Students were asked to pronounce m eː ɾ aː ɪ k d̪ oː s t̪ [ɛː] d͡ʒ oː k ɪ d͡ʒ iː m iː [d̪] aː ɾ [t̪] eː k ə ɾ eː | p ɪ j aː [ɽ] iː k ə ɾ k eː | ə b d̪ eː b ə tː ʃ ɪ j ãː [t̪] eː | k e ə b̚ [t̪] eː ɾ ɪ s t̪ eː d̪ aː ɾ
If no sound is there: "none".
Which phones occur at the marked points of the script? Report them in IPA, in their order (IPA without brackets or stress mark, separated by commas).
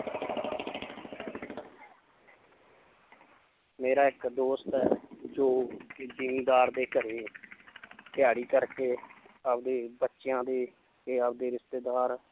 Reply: ɛː, d̪, d̪, ɽ, d̪, d̪